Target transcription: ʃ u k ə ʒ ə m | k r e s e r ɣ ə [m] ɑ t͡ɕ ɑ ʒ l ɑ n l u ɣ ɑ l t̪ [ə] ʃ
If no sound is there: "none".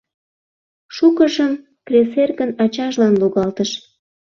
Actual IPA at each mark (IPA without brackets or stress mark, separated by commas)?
n, ə